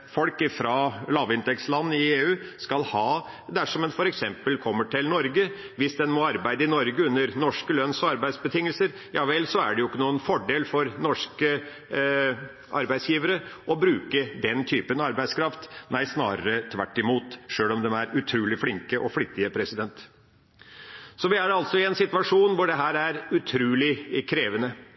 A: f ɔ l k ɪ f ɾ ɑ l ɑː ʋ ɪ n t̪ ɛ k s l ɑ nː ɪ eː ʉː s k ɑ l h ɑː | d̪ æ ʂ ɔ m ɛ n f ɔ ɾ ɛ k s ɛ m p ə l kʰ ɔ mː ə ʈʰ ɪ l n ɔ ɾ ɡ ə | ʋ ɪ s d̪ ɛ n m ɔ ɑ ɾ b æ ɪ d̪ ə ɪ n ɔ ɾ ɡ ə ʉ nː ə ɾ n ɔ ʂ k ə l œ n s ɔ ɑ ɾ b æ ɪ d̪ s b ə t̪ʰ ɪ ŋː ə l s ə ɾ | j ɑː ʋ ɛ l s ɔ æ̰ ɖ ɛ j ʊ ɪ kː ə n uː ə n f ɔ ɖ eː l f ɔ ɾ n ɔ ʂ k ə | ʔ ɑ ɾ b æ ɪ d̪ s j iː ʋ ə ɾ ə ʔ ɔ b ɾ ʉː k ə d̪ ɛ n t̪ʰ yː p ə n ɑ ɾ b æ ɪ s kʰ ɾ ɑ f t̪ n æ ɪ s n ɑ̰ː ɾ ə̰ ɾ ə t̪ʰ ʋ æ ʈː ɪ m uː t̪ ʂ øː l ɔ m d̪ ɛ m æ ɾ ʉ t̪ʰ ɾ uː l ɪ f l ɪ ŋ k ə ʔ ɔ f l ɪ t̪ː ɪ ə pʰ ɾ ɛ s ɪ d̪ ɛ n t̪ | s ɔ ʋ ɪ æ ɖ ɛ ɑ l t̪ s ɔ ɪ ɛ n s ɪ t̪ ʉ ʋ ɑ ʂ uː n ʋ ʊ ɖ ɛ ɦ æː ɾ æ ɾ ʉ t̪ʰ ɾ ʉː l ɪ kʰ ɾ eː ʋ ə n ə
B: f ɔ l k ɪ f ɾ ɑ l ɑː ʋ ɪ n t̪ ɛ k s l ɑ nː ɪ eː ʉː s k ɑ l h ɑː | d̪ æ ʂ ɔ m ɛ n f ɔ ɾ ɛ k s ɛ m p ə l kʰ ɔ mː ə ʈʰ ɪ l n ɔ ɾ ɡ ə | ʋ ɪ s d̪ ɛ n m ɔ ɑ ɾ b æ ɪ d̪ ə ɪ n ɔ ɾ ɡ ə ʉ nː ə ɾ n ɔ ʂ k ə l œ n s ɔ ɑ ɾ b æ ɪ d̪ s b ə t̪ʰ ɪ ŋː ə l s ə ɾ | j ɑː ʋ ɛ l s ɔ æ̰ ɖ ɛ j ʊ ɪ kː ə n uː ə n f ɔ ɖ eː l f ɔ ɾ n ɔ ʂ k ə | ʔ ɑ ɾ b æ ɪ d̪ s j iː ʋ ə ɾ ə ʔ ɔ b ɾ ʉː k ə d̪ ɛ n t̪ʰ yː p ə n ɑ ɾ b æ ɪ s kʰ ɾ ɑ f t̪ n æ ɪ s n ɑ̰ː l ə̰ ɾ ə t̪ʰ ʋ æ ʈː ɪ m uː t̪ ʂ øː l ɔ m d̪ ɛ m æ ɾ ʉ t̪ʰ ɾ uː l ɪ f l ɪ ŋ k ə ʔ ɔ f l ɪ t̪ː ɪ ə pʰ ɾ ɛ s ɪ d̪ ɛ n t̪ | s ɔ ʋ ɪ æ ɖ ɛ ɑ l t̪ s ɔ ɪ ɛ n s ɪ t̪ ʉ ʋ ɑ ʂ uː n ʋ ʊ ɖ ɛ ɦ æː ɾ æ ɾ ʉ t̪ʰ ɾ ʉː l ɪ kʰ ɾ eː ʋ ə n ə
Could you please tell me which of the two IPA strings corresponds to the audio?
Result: A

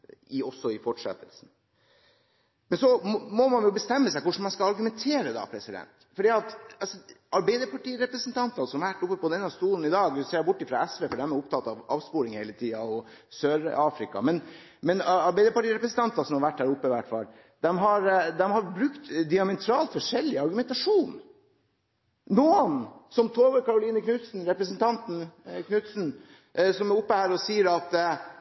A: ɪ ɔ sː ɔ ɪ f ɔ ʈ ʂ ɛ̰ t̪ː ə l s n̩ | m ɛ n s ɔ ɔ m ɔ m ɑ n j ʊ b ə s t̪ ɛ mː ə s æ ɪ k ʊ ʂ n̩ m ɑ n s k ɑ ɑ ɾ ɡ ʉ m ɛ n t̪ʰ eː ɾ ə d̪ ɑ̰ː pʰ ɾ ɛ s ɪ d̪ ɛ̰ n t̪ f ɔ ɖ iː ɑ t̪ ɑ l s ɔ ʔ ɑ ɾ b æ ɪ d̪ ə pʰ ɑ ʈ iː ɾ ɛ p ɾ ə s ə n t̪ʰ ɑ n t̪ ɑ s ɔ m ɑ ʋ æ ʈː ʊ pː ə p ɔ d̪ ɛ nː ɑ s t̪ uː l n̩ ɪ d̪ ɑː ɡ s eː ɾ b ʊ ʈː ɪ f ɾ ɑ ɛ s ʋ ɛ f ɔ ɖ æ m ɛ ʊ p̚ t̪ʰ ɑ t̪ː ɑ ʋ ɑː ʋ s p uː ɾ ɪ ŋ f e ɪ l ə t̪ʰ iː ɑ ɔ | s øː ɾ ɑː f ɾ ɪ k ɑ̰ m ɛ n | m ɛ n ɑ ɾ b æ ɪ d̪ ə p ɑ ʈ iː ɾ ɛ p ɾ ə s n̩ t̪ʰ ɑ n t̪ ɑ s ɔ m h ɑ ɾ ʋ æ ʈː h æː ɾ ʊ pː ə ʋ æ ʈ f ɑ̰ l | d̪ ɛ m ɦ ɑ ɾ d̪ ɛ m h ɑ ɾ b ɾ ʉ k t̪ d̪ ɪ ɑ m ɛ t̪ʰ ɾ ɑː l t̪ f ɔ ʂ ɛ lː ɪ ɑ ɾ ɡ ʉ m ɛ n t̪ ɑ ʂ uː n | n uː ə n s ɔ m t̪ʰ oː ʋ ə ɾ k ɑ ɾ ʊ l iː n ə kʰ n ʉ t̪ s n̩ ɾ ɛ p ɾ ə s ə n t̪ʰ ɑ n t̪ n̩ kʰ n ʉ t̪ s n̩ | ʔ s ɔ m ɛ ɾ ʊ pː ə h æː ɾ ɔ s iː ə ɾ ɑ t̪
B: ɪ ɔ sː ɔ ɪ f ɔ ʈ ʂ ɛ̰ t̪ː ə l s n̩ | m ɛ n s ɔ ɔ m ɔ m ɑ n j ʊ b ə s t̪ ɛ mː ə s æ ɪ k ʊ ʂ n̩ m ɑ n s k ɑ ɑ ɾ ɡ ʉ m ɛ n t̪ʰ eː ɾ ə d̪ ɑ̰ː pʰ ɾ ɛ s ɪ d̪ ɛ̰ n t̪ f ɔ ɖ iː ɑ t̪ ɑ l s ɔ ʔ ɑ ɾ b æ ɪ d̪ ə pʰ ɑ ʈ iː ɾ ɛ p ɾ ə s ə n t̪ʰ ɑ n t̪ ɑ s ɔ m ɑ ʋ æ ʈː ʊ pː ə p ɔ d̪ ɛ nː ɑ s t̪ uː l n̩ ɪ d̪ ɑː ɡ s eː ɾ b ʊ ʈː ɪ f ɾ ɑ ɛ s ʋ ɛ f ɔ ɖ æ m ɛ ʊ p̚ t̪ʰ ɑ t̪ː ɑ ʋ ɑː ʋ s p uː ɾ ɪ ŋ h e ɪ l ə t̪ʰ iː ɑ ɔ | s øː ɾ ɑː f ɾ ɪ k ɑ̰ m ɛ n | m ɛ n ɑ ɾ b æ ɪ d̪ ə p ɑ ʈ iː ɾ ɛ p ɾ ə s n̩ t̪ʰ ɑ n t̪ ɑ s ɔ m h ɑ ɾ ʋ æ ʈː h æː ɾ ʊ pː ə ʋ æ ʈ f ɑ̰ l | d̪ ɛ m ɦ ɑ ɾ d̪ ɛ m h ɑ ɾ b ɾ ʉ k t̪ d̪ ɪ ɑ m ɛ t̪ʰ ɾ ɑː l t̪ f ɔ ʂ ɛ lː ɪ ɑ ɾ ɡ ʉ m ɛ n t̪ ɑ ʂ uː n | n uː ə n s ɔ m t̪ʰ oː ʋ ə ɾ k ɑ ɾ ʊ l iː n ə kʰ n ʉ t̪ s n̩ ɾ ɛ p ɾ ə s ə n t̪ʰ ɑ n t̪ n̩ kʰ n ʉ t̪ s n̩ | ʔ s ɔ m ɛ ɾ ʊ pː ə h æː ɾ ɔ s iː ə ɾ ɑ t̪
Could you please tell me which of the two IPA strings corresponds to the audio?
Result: B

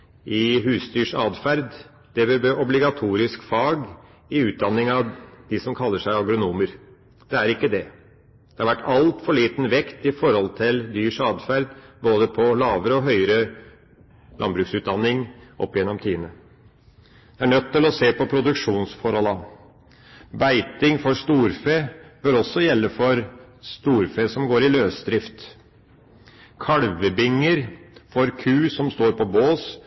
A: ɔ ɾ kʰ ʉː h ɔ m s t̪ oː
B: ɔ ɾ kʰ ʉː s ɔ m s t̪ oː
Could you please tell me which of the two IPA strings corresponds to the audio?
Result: B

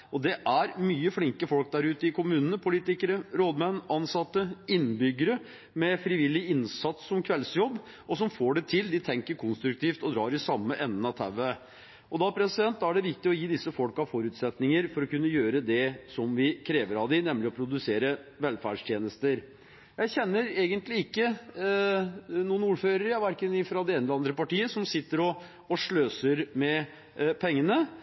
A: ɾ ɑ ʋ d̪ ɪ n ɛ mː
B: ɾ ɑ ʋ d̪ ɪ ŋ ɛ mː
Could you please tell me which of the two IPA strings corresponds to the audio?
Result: A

